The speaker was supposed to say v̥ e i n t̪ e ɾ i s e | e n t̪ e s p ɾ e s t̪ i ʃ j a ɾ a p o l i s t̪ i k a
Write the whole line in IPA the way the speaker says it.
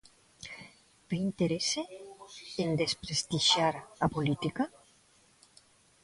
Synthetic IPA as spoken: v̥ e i n t̪ e ɾ e s e | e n d̪ e s p ɾ e s t̪ i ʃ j a ɾ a p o l i t̪ i k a